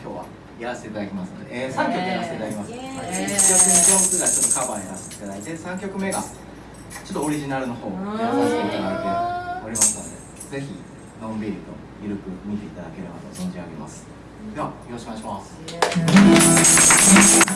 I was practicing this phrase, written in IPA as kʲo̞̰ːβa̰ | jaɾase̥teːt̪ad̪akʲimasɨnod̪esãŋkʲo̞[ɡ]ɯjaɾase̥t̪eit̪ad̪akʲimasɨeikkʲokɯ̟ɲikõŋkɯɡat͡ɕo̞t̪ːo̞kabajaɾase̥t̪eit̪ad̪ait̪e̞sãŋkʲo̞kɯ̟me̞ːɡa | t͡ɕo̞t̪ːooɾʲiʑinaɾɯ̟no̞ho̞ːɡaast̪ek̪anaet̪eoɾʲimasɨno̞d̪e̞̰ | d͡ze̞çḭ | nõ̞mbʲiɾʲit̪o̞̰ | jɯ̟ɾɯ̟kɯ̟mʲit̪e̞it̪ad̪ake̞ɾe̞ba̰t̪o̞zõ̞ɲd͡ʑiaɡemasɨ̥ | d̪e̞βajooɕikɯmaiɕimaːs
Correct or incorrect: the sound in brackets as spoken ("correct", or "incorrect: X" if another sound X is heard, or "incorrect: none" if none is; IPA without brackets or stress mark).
incorrect: k